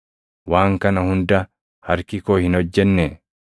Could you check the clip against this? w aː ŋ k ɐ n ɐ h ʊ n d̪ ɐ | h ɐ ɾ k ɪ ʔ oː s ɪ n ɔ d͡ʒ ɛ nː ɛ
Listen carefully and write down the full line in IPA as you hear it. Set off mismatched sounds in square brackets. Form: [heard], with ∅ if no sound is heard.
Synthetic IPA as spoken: w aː ŋ k ɐ n ɐ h ʊ n d̪ ɐ | h ɐ ɾ k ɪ [k] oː [h] ɪ n ɔ [d͡ʒː] ɛ nː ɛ